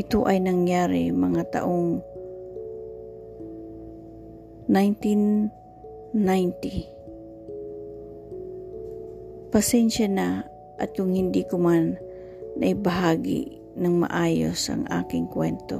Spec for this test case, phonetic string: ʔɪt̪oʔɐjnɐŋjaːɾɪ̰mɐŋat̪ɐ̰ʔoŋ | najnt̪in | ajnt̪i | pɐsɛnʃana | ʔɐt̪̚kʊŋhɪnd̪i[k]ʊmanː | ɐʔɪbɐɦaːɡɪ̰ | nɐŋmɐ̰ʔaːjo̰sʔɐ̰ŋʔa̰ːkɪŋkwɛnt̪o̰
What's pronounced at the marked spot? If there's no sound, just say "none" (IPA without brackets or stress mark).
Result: k